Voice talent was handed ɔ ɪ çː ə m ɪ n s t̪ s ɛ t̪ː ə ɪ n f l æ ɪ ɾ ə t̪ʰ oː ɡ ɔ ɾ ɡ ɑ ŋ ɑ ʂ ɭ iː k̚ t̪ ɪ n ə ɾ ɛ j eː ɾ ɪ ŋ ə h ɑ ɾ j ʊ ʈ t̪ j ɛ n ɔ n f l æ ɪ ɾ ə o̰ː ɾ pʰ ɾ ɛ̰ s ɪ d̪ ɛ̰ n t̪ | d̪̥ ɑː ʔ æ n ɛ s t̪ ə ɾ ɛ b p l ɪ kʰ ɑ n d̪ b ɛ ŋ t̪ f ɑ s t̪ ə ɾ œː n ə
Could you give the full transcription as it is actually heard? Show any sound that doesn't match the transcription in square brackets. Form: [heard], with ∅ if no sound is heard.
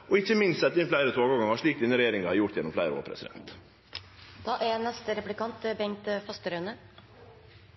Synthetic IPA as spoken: ɔ ɪ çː ə m ɪ n s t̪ s ɛ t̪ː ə ɪ n f l æ ɪ ɾ ə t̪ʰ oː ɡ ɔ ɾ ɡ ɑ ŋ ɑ ʂ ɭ iː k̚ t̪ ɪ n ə ɾ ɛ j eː ɾ ɪ ŋ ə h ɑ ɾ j ʊ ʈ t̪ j ɛ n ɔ [m] f l æ ɪ ɾ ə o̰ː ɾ pʰ ɾ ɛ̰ s ɪ d̪ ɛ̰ n t̪ | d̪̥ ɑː ʔ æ n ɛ s t̪ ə ɾ ɛ [∅] p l ɪ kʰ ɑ n [t̪] b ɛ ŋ t̪ f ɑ s t̪ ə ɾ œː n ə